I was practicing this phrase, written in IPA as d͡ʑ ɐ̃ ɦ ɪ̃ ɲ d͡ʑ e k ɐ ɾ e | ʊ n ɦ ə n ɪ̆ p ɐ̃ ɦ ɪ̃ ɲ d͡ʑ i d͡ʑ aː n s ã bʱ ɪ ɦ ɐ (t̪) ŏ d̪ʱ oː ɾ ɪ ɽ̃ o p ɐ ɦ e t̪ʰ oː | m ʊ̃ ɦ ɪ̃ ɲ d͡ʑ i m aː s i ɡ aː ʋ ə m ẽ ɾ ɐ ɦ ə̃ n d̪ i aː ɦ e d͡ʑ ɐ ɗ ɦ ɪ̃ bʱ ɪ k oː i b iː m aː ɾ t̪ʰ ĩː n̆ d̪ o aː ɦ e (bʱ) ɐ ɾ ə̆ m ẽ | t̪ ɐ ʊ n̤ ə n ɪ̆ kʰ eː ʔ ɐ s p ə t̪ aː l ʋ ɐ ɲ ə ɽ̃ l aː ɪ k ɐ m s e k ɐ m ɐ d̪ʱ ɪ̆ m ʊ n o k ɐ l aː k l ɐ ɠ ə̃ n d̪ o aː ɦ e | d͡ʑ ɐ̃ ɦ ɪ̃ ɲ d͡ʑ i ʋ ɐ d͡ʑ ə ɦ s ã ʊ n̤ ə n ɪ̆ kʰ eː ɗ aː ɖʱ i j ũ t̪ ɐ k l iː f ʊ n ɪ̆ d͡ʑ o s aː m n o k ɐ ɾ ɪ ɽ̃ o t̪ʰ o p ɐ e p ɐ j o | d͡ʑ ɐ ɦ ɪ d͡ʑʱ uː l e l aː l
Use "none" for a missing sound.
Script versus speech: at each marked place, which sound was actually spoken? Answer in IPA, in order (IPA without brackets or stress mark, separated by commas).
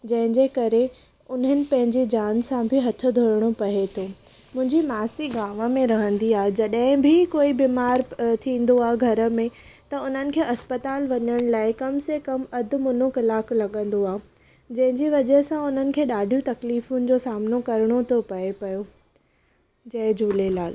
t̪ʰ, ɡʱ